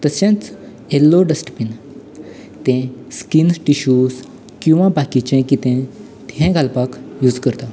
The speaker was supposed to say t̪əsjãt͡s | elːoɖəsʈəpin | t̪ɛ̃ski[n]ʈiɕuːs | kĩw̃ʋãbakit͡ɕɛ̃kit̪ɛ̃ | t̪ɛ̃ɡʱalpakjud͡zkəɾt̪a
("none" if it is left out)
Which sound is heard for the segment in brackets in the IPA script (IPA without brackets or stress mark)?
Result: n